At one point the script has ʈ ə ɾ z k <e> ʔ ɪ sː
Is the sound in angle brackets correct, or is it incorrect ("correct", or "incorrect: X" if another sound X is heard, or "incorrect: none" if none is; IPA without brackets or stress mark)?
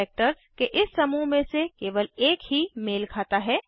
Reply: correct